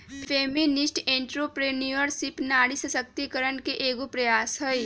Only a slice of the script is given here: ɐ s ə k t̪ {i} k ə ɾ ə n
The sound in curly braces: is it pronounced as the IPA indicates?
yes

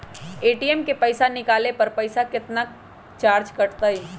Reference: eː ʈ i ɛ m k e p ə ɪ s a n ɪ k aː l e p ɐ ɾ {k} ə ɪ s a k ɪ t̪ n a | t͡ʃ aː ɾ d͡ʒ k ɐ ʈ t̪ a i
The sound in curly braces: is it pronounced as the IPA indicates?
no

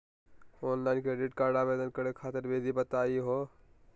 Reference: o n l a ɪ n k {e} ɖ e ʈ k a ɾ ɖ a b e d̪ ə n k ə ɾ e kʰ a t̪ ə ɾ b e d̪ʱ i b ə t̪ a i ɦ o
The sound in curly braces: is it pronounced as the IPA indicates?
yes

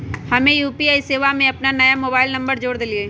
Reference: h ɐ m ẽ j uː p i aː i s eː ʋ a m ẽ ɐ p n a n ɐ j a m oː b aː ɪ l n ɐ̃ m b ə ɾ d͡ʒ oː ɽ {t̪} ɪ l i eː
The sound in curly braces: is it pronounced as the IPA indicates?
no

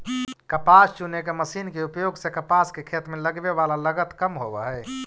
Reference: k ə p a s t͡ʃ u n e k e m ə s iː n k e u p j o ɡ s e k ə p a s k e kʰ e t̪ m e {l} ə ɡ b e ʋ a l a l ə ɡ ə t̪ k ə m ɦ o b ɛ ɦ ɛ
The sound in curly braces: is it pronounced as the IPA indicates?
yes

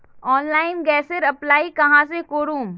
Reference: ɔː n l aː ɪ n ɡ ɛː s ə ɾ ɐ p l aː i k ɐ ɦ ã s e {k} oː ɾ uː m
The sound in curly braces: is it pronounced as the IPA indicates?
yes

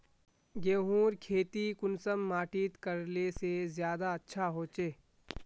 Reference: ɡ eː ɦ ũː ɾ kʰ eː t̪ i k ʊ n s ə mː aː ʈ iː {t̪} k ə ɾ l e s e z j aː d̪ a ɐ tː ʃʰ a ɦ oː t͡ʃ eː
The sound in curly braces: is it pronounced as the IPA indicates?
yes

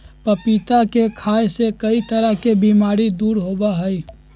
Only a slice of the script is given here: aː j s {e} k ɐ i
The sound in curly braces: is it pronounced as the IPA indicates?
yes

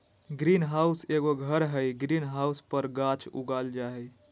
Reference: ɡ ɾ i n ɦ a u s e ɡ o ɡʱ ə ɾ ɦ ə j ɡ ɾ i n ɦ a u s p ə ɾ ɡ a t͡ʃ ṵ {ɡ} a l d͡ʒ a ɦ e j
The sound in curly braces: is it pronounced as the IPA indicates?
yes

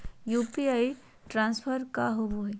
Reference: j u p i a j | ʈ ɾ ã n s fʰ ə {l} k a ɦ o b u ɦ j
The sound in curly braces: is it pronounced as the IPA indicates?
no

